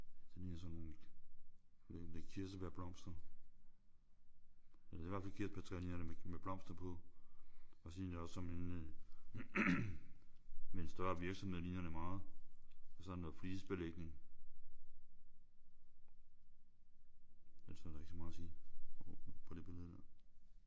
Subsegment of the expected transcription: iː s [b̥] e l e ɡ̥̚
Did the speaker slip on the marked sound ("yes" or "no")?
no